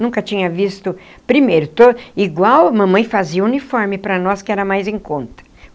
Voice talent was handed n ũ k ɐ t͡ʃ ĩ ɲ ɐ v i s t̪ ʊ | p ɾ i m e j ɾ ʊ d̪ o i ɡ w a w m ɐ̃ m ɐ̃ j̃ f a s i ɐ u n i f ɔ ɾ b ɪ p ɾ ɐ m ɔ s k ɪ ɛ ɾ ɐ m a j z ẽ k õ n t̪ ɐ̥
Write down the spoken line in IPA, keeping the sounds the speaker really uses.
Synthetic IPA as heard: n ũ k ɐ t͡ʃ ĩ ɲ ɐ v i s t̪ ʊ | p ɾ i m e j ɾ ʊ t̪ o i ɡ w a w m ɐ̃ m ɐ̃ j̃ f a z i ɐ u n i f ɔ ɾ m ɪ p ɾ ɐ n ɔ s k ɪ ɛ ɾ ɐ m a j z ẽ k õ n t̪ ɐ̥